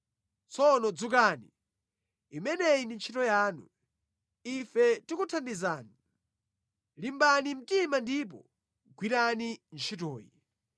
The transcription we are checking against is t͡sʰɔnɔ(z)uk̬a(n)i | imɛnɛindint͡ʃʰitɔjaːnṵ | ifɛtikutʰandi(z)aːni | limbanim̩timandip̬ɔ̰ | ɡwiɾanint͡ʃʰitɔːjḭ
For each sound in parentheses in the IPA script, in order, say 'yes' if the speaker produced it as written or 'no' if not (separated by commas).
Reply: no, yes, yes